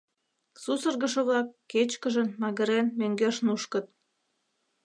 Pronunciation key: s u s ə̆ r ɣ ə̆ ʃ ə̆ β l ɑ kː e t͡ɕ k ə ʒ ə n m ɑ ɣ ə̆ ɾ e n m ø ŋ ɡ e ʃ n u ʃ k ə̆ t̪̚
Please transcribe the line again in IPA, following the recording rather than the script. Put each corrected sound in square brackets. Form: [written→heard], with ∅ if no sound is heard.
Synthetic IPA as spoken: s u s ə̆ r ɣ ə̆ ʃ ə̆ β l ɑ kː e t͡ɕ k ə ʒ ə n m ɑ ɣ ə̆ ɾ e n m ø ŋ ɡ e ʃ n u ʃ k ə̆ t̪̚